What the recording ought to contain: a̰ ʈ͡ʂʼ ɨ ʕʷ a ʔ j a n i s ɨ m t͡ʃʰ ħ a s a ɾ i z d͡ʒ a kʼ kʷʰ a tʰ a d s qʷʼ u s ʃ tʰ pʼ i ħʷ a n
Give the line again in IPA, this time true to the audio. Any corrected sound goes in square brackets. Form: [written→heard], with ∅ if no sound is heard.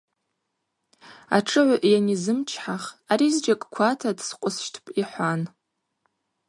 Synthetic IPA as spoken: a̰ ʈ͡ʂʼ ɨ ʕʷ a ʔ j a n i [s→z] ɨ m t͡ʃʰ ħ a [s→χ] a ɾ i z d͡ʒ a kʼ kʷʰ a tʰ a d s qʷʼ [u→ʊ] s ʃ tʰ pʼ i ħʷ a n